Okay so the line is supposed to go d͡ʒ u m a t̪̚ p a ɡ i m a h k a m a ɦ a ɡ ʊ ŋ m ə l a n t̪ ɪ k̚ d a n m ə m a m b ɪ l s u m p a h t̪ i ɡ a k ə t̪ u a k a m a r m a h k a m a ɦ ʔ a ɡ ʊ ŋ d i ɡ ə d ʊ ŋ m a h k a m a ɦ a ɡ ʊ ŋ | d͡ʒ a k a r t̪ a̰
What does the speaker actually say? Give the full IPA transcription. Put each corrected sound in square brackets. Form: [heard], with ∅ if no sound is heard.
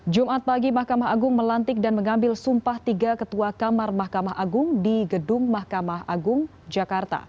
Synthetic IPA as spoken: d͡ʒ u m a t̪̚ p a ɡ i m a h k a m a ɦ a ɡ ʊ ŋ m ə l a n t̪ ɪ k̚ d a n m ə [ŋ] a m b ɪ l s u m p a h t̪ i ɡ a k ə t̪ u a k a m a r m a h k a m a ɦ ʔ a ɡ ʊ ŋ d i ɡ ə d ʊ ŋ m a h k a m a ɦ a ɡ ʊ ŋ | d͡ʒ a k a r t̪ a̰

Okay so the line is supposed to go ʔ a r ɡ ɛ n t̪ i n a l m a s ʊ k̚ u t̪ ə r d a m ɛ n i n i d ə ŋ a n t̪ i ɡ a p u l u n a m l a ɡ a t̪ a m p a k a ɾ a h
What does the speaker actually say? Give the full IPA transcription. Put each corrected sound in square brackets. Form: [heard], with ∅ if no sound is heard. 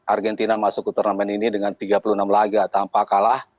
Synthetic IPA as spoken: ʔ a r ɡ ɛ n t̪ i n a [∅] m a s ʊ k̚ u t̪ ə r [n] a m ɛ n i n i d ə ŋ a n t̪ i ɡ a p u l u n a m l a ɡ a t̪ a m p a k a [l] a h

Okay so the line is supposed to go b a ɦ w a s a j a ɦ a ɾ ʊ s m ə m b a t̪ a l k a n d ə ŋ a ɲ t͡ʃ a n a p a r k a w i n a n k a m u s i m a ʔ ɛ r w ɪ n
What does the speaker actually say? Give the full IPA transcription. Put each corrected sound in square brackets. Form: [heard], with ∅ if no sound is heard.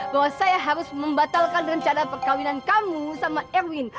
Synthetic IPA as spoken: b a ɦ w a s a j a ɦ a ɾ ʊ s m ə m b a t̪ a l k a n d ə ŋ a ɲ t͡ʃ a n a p [ə] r k a w i n a n k a m u s [a] m a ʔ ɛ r w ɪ n

